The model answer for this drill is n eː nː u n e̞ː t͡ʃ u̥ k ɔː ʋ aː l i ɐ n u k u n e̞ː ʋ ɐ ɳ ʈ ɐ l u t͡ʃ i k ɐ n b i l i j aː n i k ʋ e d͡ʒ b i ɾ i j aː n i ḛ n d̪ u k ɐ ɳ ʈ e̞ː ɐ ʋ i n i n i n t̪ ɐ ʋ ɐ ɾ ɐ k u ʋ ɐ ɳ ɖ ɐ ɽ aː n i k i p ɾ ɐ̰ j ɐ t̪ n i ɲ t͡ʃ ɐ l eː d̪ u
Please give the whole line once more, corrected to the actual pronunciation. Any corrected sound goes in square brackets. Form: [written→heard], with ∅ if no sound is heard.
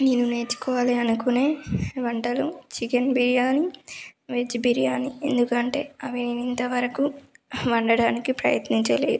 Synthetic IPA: n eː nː u n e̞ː t͡ʃ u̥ k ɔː ʋ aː l i ɐ n u k u n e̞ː ʋ ɐ ɳ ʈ ɐ l u t͡ʃ i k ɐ n b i [l→ɾ] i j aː n i [k→∅] ʋ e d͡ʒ b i ɾ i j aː n i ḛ n d̪ u k ɐ ɳ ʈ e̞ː ɐ ʋ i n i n i n t̪ ɐ ʋ ɐ ɾ ɐ k u ʋ ɐ ɳ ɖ ɐ ɽ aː n i k i p ɾ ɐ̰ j ɐ t̪ n i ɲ t͡ʃ ɐ l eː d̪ u

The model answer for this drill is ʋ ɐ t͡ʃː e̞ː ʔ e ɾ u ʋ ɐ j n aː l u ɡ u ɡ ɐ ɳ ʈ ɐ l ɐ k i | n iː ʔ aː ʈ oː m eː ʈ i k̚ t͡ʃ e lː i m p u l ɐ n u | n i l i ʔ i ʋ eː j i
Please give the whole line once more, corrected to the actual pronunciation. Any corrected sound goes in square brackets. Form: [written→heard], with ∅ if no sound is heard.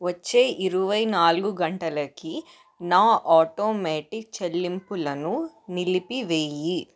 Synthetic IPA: ʋ ɐ t͡ʃː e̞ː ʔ [e→i] ɾ u ʋ ɐ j n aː l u ɡ u ɡ ɐ ɳ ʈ ɐ l ɐ k i | n [iː→aː] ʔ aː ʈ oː m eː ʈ i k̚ t͡ʃ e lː i m p u l ɐ n u | n i l i [ʔ→p] i ʋ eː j i

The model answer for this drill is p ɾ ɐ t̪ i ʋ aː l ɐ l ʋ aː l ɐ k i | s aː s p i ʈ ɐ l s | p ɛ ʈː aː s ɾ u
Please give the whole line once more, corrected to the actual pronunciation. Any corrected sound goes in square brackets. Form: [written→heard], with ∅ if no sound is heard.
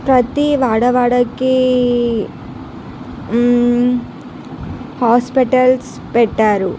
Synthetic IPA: p ɾ ɐ t̪ i ʋ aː [l→ɽ] ɐ [l→∅] ʋ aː [l→ɽ] ɐ k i | [s→h] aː s p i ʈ ɐ l s | p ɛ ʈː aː [s→∅] ɾ u

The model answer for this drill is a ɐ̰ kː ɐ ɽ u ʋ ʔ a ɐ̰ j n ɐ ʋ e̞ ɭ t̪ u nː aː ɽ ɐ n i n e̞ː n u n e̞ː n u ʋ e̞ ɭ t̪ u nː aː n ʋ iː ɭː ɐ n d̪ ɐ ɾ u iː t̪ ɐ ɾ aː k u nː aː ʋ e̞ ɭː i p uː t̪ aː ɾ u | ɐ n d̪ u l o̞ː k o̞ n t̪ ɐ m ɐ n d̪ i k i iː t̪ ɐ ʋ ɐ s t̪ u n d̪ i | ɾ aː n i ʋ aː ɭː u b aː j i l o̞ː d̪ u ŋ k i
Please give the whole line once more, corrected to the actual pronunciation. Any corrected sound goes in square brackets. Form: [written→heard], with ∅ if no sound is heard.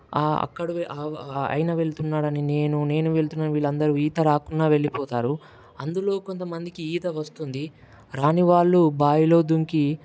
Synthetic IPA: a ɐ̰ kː ɐ ɽ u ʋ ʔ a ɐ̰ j n ɐ ʋ e̞ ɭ t̪ u nː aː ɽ ɐ n i n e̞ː n u n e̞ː n u ʋ e̞ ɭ t̪ u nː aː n ʋ iː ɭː ɐ n d̪ ɐ ɾ u iː t̪ ɐ ɾ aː k u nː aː ʋ e̞ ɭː i p [uː→ɔː] t̪ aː ɾ u | ɐ n d̪ u l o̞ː k o̞ n t̪ ɐ m ɐ n d̪ i k i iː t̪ ɐ ʋ ɐ s t̪ u n d̪ i | ɾ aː n i ʋ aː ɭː u b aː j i l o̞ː d̪ u ŋ k i

